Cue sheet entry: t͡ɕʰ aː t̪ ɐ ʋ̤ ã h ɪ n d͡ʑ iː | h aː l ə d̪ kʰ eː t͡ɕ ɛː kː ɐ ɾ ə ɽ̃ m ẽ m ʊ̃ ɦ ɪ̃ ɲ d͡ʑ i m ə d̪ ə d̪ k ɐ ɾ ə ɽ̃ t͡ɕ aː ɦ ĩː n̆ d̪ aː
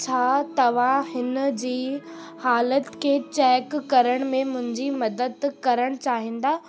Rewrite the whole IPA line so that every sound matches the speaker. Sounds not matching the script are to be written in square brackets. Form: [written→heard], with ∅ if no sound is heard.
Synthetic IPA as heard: t͡ɕʰ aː t̪ ɐ ʋ̤ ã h ɪ n d͡ʑ iː | h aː l ə [d̪→t̪] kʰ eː t͡ɕ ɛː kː ɐ ɾ ə ɽ̃ m ẽ m ʊ̃ ɦ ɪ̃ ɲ d͡ʑ i m [ə→ɐ] d̪ ə d̪ k ɐ ɾ ə ɽ̃ t͡ɕ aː ɦ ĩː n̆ d̪ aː